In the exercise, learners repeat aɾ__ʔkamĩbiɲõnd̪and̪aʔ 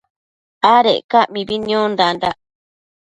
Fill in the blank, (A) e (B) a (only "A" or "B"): A